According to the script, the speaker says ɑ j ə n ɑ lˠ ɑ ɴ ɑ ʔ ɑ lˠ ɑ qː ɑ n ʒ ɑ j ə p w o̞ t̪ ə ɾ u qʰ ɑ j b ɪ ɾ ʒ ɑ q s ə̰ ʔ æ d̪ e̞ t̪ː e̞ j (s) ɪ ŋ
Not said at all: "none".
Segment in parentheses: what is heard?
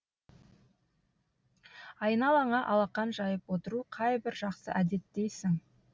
s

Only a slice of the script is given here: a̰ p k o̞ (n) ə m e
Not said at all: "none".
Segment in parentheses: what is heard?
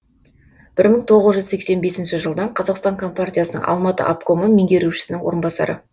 m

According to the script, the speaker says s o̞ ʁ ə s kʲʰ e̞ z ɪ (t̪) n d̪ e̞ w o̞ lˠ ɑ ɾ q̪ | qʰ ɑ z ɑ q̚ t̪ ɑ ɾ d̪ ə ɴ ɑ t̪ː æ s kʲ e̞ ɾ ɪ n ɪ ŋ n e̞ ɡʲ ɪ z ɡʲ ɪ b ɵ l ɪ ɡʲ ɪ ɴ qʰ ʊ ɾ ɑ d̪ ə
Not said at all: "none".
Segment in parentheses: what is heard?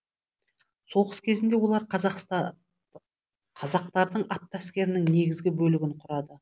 none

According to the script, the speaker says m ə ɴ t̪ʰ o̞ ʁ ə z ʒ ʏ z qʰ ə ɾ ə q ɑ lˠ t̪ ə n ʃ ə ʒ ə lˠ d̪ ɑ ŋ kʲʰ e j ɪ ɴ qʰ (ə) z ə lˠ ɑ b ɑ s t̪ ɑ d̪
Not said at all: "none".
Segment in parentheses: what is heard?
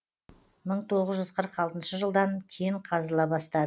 ɑ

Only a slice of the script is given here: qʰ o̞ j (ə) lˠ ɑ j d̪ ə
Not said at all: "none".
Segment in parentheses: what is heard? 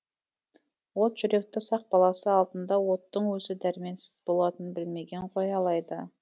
ɑ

